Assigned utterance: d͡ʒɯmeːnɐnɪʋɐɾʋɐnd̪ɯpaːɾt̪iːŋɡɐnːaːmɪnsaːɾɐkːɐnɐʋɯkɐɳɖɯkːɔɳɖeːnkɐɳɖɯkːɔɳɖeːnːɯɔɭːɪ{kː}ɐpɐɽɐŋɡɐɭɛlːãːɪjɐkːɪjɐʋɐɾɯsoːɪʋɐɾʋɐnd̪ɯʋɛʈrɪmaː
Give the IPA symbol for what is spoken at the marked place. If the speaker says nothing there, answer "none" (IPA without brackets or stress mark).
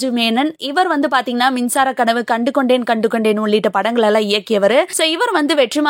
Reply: ʈː